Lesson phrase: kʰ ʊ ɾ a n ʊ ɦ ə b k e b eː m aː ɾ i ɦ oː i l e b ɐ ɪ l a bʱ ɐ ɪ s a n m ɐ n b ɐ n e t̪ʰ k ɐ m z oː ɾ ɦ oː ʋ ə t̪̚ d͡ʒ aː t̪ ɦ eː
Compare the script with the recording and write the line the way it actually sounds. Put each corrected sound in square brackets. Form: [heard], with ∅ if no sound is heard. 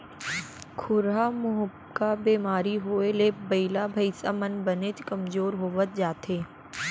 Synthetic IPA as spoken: kʰ ʊ ɾ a [m] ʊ ɦ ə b k [a] b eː m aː ɾ i ɦ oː [e] l e b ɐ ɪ l a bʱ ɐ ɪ s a [∅] m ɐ n b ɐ n e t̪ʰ k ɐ m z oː ɾ ɦ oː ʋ ə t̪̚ d͡ʒ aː t̪ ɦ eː